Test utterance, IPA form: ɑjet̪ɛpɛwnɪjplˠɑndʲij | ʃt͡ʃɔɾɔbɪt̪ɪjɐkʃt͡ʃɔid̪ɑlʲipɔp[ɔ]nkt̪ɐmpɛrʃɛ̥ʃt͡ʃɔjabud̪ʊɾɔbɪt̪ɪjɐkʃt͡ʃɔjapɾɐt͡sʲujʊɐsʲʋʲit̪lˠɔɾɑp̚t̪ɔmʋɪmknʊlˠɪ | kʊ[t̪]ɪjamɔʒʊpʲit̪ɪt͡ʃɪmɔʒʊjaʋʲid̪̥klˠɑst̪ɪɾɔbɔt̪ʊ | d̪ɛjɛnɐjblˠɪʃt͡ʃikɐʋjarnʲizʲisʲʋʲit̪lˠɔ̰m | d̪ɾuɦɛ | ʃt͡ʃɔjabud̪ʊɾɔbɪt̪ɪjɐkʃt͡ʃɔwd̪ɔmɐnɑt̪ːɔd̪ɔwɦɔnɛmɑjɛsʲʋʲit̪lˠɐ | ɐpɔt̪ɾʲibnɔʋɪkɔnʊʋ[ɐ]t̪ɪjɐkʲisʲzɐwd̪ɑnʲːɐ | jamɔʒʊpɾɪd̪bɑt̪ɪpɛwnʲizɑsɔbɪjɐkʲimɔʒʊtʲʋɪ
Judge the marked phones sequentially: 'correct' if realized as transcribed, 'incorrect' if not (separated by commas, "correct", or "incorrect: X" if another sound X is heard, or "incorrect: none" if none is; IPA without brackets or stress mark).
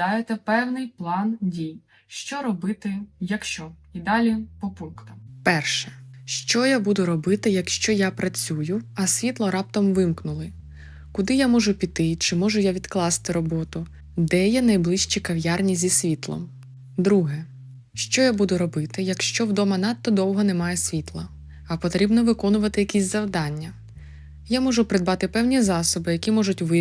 incorrect: u, incorrect: d̪, correct